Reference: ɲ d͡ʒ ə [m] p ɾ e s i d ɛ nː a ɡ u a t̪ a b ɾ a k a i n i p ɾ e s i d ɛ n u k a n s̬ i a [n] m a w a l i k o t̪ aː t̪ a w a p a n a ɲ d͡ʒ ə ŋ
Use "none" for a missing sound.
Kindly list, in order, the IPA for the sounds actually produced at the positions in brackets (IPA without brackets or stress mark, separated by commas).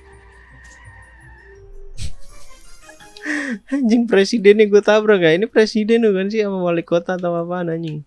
ŋ, none